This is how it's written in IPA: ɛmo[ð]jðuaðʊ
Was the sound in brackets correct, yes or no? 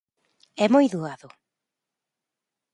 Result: no